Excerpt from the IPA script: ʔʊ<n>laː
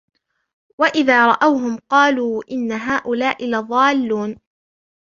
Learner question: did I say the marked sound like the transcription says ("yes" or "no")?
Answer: no